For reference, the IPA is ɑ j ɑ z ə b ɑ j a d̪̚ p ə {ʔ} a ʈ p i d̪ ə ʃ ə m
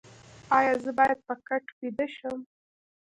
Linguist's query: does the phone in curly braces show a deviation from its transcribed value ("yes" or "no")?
yes